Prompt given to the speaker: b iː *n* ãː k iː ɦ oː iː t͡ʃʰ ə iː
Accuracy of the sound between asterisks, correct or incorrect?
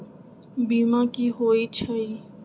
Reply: incorrect